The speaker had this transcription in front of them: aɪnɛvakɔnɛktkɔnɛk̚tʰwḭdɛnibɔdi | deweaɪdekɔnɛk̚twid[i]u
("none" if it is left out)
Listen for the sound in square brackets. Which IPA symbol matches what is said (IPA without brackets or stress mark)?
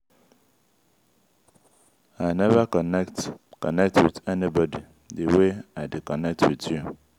j